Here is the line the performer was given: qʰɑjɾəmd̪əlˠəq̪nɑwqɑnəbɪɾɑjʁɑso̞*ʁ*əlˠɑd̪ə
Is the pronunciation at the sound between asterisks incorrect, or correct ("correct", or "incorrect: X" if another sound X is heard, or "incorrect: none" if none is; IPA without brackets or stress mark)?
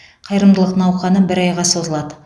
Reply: incorrect: z